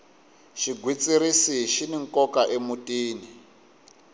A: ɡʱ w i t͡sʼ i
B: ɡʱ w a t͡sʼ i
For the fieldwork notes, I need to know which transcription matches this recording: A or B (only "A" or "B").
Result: A